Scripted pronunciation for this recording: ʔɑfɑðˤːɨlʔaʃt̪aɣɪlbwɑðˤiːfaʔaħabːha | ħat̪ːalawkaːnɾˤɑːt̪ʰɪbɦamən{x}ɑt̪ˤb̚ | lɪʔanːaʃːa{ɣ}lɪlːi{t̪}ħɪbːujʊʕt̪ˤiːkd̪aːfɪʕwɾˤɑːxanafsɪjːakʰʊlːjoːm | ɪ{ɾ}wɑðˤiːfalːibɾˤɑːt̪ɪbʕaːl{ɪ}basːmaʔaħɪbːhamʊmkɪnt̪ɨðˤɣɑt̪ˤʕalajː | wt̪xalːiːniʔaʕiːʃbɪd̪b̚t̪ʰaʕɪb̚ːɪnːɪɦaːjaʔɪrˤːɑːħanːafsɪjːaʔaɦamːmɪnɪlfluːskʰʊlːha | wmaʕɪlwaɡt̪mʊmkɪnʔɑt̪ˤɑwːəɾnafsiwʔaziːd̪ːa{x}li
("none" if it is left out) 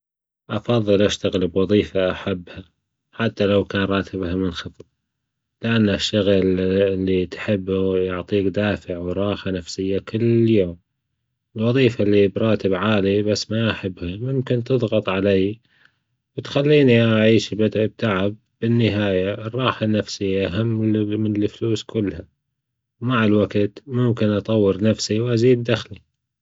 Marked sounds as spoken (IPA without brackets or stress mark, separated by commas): x, ɣ, t̪, l, i, x